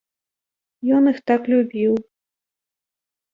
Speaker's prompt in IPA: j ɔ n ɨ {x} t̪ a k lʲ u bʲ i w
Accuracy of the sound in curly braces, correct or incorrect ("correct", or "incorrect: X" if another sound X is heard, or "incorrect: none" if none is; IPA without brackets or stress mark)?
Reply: correct